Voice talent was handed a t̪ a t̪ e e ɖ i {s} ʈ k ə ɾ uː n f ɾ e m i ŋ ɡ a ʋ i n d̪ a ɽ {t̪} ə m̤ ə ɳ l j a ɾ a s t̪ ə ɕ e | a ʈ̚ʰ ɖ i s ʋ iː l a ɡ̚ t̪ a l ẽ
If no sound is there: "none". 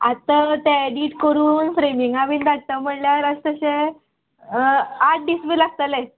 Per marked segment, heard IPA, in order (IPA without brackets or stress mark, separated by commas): none, t̪